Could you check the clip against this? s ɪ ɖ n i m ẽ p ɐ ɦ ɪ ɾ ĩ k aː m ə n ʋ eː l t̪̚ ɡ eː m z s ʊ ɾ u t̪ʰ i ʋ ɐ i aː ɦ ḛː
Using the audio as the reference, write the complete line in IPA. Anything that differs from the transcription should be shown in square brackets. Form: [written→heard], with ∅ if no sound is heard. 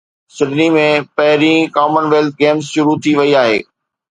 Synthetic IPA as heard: s ɪ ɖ n i m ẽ p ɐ ɦ ɪ ɾ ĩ k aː m ə n ʋ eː l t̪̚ ɡ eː m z [s→ʃ] ʊ ɾ u t̪ʰ i ʋ ɐ i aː ɦ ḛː